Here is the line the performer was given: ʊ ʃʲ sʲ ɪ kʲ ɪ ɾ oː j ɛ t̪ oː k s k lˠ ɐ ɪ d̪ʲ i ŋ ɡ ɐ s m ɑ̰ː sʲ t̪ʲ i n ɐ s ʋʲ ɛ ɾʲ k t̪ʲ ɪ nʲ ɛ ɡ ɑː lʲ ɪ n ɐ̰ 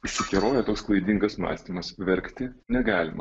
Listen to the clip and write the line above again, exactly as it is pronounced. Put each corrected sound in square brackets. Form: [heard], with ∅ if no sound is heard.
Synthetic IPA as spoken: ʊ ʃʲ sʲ ɪ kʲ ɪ ɾ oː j ɛ t̪ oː k s k lˠ ɐ ɪ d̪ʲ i ŋ ɡ ɐ s m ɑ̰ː sʲ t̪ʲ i [m] ɐ s ʋʲ ɛ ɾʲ k t̪ʲ ɪ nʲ ɛ ɡ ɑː lʲ ɪ [m] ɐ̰

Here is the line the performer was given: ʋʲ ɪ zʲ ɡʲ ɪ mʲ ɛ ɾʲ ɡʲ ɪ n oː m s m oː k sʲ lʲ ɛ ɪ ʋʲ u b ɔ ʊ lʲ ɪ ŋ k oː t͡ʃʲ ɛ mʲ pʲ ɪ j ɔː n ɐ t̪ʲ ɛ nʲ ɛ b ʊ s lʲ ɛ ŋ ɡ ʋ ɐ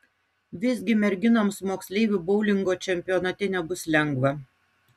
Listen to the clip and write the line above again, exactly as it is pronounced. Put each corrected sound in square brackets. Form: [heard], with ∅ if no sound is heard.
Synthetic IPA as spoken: ʋʲ ɪ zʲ ɡʲ ɪ mʲ ɛ ɾʲ ɡʲ ɪ n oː m s m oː k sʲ lʲ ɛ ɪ ʋʲ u b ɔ ʊ lʲ ɪ ŋ [ɡ] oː t͡ʃʲ ɛ mʲ pʲ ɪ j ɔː n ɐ t̪ʲ ɛ nʲ ɛ b ʊ s lʲ ɛ ŋ ɡ ʋ ɐ

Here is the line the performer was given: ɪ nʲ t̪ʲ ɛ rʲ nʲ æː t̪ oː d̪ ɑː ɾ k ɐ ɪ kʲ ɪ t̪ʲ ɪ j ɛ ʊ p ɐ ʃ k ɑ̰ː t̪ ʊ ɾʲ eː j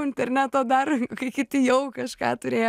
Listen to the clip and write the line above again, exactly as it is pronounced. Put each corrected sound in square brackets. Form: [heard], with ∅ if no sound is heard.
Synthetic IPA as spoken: ɪ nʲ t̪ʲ ɛ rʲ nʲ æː t̪ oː d̪ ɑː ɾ k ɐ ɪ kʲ ɪ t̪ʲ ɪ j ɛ ʊ [k] ɐ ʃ k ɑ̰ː t̪ ʊ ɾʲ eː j

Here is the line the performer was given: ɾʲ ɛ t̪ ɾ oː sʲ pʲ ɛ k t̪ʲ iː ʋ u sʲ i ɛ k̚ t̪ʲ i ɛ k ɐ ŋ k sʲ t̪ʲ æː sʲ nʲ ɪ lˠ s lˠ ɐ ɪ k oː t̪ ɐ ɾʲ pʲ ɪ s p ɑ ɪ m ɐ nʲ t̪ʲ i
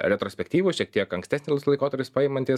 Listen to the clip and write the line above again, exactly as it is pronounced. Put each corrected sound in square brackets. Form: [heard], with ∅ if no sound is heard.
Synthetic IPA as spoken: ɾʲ ɛ t̪ ɾ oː sʲ pʲ ɛ k t̪ʲ iː ʋ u [ʃʲ] i ɛ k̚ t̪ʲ i ɛ k ɐ ŋ k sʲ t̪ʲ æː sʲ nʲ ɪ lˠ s lˠ ɐ ɪ k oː t̪ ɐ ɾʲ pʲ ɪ s p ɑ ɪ m ɐ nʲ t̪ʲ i

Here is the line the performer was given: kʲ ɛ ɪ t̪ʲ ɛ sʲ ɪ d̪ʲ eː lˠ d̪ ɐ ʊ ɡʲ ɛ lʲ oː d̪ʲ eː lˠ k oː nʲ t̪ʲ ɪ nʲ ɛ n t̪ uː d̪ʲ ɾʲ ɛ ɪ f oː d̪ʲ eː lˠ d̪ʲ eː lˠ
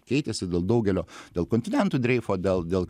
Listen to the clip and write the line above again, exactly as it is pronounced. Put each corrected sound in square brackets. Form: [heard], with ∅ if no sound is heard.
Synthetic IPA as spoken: kʲ ɛ ɪ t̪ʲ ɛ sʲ ɪ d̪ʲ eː lˠ d̪ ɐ ʊ ɡʲ ɛ lʲ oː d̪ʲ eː lˠ k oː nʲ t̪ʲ ɪ nʲ ɛ n t̪ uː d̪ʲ ɾʲ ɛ ɪ f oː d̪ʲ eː lˠ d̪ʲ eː lˠ

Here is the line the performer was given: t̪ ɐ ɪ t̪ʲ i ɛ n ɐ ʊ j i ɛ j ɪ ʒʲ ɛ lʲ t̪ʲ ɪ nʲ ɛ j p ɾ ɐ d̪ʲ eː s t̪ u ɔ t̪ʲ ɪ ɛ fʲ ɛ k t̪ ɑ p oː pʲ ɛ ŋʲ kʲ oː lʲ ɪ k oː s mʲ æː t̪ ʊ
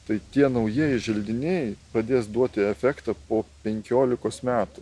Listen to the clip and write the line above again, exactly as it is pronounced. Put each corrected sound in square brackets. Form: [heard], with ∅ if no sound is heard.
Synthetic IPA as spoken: t̪ ɐ ɪ t̪ʲ i ɛ n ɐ ʊ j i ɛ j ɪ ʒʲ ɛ lʲ [d̪ʲ] ɪ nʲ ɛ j p ɾ ɐ d̪ʲ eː s [d̪] u ɔ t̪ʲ ɪ ɛ fʲ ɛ k t̪ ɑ p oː pʲ ɛ ŋʲ kʲ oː lʲ ɪ k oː s mʲ æː t̪ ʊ

